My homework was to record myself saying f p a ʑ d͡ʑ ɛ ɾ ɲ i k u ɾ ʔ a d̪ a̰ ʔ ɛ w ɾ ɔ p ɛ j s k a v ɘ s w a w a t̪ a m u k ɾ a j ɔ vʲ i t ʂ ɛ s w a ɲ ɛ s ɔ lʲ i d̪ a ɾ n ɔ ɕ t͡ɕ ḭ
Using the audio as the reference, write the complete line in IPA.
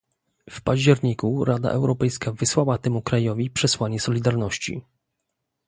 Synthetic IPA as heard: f p a ʑ d͡ʑ ɛ ɾ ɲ i k u ɾ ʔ a d̪ a̰ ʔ ɛ w ɾ ɔ p ɛ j s k a v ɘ s w a w a t̪ ɛ m u k ɾ a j ɔ vʲ i p ʂ ɛ s w a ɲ ɛ s ɔ lʲ i d̪ a ɾ n ɔ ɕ t͡ɕ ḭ